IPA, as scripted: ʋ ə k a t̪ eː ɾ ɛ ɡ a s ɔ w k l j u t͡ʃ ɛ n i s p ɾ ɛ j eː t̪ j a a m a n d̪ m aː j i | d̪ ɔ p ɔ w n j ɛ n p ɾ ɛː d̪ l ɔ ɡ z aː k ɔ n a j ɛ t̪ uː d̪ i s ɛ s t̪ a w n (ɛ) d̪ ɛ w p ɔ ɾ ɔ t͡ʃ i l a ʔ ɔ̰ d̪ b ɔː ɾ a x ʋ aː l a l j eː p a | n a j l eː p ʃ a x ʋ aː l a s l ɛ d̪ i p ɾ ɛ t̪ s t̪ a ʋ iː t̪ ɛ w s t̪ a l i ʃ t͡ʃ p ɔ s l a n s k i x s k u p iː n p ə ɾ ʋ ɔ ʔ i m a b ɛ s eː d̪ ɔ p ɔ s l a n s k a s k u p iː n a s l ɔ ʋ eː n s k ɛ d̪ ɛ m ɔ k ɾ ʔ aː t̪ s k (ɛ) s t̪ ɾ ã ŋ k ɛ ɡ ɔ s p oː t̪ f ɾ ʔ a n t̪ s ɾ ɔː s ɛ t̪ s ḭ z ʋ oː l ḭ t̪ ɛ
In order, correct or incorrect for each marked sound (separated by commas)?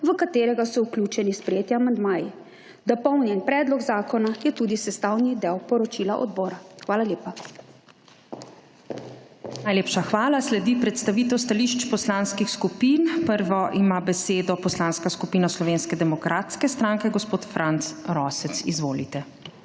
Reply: incorrect, correct